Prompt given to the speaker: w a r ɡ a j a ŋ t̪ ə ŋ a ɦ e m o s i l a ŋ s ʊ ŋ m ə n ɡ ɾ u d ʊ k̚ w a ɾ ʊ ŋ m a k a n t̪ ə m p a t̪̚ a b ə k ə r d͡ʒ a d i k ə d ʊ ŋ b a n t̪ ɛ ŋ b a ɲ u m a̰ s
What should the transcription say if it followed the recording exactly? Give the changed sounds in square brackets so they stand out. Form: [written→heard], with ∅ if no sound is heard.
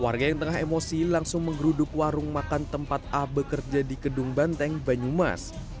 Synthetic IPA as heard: w a r ɡ a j a ŋ t̪ ə ŋ a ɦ e m o s i l a ŋ s ʊ ŋ m ə [n→ŋ] ɡ ɾ u d ʊ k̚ w a ɾ ʊ ŋ m a k a n t̪ ə m p a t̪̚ a b ə k ə r d͡ʒ a d i k ə d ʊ ŋ b a n t̪ ɛ ŋ b a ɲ u m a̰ s